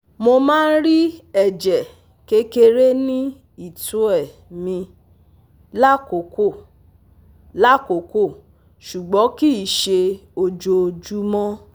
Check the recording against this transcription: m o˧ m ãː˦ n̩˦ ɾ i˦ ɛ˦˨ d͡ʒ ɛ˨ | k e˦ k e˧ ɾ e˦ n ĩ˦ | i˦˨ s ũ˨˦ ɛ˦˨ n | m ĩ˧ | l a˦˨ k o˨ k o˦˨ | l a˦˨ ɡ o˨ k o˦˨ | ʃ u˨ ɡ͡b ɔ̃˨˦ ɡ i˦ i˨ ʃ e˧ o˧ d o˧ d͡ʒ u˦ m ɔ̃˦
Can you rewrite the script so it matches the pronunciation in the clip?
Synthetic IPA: m o˧ m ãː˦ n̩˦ ɾ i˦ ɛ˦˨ d͡ʒ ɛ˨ | k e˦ k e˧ ɾ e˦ n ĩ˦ | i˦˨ t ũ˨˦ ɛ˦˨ | m ĩ˧ | l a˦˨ k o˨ k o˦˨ | l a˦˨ k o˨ k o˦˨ | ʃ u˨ ɡ͡b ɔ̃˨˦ k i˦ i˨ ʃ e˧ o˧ d͡ʒ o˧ d͡ʒ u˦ m ɔ̃˦